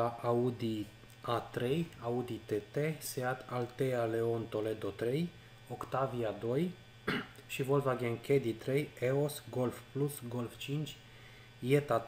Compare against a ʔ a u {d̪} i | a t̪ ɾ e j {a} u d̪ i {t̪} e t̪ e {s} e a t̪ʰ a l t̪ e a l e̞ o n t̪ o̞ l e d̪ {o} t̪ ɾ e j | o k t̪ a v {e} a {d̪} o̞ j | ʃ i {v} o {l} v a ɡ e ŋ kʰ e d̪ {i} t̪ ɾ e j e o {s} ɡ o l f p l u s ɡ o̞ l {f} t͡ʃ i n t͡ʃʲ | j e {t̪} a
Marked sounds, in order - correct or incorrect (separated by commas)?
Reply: correct, correct, correct, correct, correct, incorrect, correct, correct, correct, correct, correct, correct, correct